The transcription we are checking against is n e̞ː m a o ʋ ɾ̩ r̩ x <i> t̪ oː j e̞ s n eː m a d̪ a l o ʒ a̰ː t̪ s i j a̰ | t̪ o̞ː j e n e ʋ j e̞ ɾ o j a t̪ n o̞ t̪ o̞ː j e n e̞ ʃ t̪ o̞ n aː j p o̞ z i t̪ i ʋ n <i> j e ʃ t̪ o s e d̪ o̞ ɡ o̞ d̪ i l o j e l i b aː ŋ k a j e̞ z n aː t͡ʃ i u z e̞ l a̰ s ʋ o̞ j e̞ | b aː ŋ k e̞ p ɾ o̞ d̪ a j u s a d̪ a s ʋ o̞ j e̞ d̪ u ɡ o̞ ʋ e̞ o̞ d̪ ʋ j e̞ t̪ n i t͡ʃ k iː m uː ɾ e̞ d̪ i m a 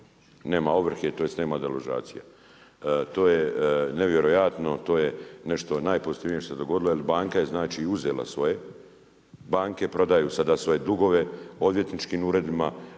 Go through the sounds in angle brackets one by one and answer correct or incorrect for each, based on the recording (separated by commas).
incorrect, correct